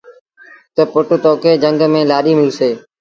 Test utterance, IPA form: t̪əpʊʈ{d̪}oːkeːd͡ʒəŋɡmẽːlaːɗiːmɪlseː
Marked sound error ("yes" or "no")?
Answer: yes